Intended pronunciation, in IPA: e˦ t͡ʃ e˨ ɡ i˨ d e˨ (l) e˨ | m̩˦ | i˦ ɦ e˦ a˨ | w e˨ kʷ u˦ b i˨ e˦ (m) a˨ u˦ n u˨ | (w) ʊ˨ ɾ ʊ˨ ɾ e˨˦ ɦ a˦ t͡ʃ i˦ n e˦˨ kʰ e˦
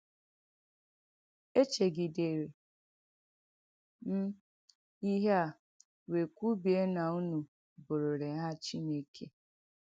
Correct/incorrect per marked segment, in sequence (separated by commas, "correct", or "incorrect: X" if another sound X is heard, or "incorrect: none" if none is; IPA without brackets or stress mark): incorrect: ɾ, incorrect: n, incorrect: b